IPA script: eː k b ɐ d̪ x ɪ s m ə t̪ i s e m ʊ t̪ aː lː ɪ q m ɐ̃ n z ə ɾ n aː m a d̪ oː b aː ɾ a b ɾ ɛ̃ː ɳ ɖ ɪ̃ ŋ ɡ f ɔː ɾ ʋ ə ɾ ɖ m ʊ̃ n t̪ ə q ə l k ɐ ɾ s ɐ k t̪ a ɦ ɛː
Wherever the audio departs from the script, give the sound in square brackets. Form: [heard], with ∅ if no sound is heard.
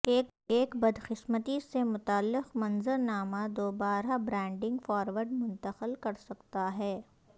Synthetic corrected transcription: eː k b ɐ d̪ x ɪ s m ə t̪ i s e m ʊ t̪ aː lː ɪ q m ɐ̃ n z ə ɾ n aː m a d̪ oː b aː ɾ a b ɾ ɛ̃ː ɳ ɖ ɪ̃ ŋ ɡ f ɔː ɾ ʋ ə ɾ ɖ m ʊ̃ n t̪ ə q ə l k ɐ ɾ s ɐ k t̪ a ɦ ɛː